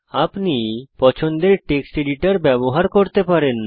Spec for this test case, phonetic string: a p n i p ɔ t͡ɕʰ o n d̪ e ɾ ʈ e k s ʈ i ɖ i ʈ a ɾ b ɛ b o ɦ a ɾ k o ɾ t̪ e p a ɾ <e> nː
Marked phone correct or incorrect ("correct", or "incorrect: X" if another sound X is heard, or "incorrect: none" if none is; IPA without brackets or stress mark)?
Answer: correct